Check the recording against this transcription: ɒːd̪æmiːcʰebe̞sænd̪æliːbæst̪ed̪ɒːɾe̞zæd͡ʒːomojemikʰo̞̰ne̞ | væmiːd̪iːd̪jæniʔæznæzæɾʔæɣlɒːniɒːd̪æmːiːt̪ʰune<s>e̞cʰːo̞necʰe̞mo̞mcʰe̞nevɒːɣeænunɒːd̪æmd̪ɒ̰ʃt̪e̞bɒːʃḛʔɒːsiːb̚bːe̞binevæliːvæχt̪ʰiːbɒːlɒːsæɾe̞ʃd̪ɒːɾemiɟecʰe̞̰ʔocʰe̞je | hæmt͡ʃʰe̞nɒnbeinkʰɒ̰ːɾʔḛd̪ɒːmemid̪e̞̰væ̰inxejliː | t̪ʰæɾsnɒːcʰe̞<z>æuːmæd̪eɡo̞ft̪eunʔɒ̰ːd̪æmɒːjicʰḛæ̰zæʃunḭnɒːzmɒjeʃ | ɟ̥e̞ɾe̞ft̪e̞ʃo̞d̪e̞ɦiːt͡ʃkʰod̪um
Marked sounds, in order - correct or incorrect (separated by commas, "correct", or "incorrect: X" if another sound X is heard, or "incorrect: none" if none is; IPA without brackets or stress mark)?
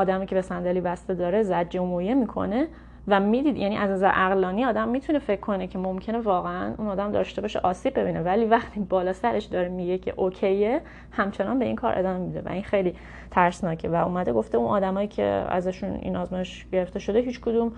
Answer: incorrect: f, incorrect: v